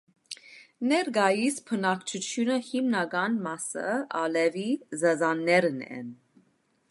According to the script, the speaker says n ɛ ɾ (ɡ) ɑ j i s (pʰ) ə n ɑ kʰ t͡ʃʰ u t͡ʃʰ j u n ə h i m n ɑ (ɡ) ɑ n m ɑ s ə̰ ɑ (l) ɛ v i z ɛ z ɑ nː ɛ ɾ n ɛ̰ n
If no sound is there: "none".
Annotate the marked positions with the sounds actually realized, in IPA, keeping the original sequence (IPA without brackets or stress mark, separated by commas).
ɡ, pʰ, ɡ, l